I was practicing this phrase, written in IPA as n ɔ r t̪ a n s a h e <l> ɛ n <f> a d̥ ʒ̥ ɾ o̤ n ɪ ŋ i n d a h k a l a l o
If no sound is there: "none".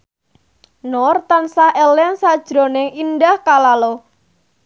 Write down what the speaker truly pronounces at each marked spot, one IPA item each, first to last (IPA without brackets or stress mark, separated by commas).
l, s